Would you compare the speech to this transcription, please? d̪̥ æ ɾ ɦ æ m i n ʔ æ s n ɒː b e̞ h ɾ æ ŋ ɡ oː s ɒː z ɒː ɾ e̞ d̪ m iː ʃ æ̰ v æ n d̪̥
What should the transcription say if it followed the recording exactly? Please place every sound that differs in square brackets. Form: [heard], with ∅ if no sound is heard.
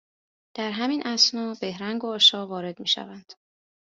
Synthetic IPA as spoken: d̪̥ æ ɾ ɦ æ m i n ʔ æ s n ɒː b e̞ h ɾ æ ŋ ɡ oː [ʃ] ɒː [v] ɒː ɾ e̞ d̪ m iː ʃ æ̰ v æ n d̪̥